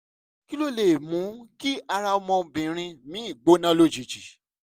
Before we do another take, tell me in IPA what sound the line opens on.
k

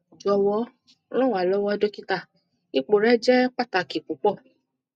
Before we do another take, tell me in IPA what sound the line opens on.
d͡ʒ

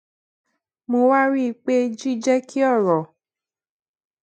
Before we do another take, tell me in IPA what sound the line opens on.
m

